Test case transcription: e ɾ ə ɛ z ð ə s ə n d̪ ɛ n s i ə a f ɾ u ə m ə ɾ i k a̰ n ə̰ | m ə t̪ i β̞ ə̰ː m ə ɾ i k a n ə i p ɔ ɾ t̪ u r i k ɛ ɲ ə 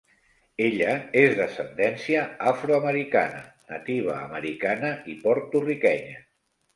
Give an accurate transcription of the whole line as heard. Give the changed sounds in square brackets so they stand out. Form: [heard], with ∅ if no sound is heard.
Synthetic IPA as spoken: e [ʎ] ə [e] z ð ə s ə n d̪ ɛ n s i ə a f ɾ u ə m ə ɾ i k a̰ n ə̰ | [n] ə t̪ i β̞ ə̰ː m ə ɾ i k a n ə i p ɔ ɾ t̪ u r i k ɛ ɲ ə

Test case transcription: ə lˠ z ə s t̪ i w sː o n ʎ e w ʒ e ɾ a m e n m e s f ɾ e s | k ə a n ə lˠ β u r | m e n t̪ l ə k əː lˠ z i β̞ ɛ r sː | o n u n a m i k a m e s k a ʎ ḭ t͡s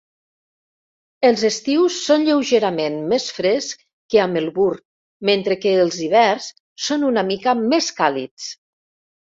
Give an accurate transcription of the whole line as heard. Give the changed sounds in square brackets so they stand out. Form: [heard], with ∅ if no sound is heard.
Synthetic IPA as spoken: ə lˠ z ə s t̪ i w sː o n ʎ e w ʒ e ɾ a m e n m e s f ɾ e s | k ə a [m] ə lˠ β u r | m e n t̪ [ɾ] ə k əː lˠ z i β̞ ɛ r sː | o n u n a m i k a m e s k a [l] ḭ t͡s

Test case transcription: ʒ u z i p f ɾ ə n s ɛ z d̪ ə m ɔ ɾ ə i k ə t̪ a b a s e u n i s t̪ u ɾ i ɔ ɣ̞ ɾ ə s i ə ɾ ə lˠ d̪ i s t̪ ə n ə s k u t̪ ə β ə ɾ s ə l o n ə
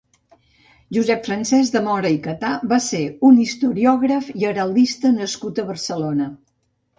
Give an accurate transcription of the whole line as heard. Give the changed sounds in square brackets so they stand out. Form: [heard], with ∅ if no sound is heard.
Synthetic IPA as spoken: ʒ u z [ɛ] p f ɾ ə n s ɛ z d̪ ə m ɔ ɾ ə i k ə t̪ a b a s e u n i s t̪ u ɾ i ɔ ɣ̞ ɾ ə [f] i ə ɾ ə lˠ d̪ i s t̪ ə n ə s k u t̪ ə β ə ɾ s ə l o n ə

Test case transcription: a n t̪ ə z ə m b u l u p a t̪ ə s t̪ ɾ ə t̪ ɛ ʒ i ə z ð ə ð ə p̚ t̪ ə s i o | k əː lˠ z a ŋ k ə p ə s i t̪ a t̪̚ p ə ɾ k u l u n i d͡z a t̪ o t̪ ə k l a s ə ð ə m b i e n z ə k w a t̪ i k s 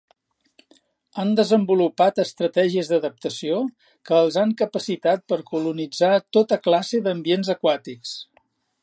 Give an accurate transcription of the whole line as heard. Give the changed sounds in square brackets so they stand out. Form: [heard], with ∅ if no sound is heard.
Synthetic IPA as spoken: a n [d̪] ə z ə m b u l u p a t̪ ə s t̪ ɾ ə t̪ ɛ ʒ i ə z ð ə ð ə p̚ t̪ ə s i o | k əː lˠ z a ŋ k ə p ə s i t̪ a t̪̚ p ə ɾ k u l u n i d͡z a t̪ o t̪ ə k l a s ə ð ə m b i e n z ə k w a t̪ i k s

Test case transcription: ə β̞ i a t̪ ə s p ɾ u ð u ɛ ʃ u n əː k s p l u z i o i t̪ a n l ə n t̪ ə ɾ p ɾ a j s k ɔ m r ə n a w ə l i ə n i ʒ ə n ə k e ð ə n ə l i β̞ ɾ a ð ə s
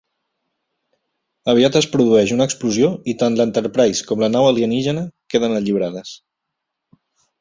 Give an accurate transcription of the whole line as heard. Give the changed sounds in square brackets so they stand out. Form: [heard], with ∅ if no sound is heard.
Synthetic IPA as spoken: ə β̞ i a t̪ ə s p ɾ u ð u ɛ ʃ u n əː k s p l u z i o i t̪ a n l ə n t̪ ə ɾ p ɾ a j s k ɔ m [l] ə n a w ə l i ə n i ʒ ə n ə k e ð ə n ə [ʎ] i β̞ ɾ a ð ə s

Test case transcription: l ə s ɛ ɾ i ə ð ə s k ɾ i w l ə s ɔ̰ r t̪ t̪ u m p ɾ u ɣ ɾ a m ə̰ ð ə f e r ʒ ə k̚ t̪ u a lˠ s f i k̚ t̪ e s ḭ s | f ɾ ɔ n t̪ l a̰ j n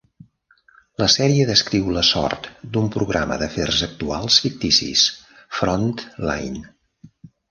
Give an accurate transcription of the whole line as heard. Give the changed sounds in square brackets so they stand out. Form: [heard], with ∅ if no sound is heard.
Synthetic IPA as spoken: l ə s ɛ ɾ i ə ð ə s k ɾ i w l ə s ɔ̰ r t̪ [d̪] u m p ɾ u ɣ ɾ a m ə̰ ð ə f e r [z] ə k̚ t̪ u a lˠ s f i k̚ t̪ [i] s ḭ s | f ɾ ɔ n t̪ l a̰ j n

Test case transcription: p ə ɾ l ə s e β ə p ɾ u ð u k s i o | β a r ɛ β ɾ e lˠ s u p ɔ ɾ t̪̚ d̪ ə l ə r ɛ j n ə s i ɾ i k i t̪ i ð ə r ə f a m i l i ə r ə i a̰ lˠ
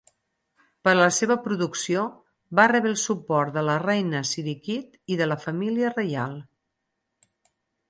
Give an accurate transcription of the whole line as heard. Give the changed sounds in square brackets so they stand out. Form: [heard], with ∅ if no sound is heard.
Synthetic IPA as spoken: p ə ɾ l ə s e β ə p ɾ u ð u k s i o | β a r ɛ β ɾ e lˠ s u p ɔ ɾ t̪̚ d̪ ə l ə r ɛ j n ə s i ɾ i k i t̪ i ð ə [l] ə f [ə] m i l i ə r ə [j] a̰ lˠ

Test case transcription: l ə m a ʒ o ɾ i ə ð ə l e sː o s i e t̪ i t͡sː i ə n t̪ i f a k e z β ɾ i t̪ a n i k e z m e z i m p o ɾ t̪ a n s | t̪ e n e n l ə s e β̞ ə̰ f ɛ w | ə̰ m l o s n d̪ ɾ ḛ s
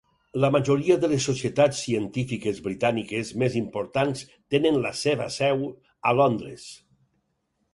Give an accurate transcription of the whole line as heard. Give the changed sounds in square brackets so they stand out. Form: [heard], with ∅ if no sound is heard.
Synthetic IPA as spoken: l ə m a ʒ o ɾ i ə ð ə l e sː o s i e t̪ [a] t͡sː i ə n t̪ i f [i] k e z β ɾ i t̪ a n i k e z m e z i m p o ɾ t̪ a n s | t̪ e n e n l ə s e β̞ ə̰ [s] ɛ w | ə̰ [∅] l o [∅] n d̪ ɾ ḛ s

